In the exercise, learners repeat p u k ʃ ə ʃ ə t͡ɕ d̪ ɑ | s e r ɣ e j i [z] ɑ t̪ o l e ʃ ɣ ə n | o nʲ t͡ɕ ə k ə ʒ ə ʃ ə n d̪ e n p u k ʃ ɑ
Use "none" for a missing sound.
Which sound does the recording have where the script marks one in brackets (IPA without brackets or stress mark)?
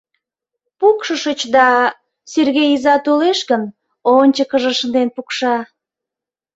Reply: z